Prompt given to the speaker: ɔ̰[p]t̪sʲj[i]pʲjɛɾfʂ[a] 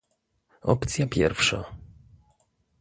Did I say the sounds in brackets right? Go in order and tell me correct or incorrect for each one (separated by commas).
correct, incorrect, correct